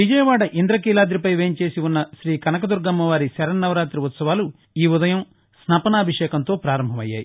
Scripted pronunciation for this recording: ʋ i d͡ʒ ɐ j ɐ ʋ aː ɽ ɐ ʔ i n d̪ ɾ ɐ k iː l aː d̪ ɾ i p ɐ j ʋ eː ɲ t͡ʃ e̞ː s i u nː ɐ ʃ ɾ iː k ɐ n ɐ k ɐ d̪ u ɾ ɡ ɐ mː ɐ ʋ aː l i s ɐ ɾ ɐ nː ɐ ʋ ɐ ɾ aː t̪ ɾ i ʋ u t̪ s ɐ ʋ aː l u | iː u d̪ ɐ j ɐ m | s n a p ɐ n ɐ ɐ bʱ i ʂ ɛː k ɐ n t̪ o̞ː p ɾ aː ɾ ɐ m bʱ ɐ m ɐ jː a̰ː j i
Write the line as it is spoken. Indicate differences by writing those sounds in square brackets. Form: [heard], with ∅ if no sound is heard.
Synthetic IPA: ʋ i d͡ʒ ɐ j ɐ ʋ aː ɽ ɐ ʔ i n d̪ ɾ ɐ k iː l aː d̪ ɾ i p ɐ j ʋ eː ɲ t͡ʃ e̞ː s i u nː ɐ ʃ ɾ iː k ɐ n ɐ k ɐ d̪ u ɾ ɡ ɐ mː ɐ ʋ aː [ɾ] i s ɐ ɾ ɐ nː ɐ ʋ ɐ ɾ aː t̪ ɾ i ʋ u t̪ s ɐ ʋ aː l u | iː u d̪ ɐ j ɐ m | s n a p ɐ n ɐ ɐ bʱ i ʂ ɛː k ɐ n t̪ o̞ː p ɾ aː ɾ ɐ m bʱ ɐ m ɐ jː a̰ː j i